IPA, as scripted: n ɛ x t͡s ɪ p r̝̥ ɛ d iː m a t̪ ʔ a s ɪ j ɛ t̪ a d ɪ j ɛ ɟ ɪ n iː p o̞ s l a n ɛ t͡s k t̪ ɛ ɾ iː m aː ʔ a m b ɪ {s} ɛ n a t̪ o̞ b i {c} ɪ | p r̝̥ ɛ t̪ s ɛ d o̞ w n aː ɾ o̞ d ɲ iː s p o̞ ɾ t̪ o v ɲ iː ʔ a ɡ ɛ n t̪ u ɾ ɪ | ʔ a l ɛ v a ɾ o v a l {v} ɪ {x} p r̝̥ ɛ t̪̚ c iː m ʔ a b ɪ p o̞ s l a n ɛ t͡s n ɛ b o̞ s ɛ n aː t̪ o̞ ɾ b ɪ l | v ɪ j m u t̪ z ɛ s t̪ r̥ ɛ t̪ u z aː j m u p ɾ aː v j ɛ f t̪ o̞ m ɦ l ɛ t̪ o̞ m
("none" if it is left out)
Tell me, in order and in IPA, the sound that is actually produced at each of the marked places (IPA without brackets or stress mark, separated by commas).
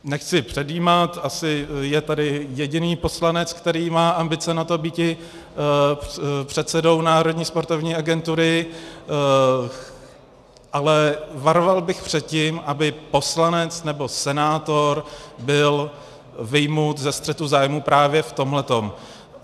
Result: t͡s, c, b, x